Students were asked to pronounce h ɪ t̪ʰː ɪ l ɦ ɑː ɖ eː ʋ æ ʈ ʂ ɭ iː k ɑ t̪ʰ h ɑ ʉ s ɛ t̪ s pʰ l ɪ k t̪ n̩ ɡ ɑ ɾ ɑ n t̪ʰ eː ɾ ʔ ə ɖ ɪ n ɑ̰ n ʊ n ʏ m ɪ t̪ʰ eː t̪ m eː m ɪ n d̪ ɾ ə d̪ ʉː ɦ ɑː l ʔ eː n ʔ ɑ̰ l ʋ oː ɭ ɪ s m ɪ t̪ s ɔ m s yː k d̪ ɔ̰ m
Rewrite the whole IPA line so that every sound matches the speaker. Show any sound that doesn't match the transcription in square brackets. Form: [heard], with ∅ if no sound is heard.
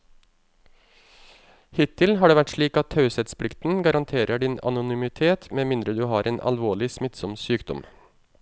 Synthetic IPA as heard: h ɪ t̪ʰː ɪ l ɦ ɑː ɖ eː ʋ æ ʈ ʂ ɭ iː k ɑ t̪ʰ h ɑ ʉ s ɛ t̪ s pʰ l ɪ k t̪ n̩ ɡ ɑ ɾ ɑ n t̪ʰ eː ɾ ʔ ə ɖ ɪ n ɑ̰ n ʊ n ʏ m ɪ t̪ʰ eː t̪ m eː m ɪ n d̪ ɾ ə d̪ ʉː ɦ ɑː [ɾ] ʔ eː n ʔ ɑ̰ l ʋ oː ɭ ɪ s m ɪ t̪ s ɔ m s yː k d̪ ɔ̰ m